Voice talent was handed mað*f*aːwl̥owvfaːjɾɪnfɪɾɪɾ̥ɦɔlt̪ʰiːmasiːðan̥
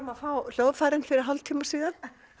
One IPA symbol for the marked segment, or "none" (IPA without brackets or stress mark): f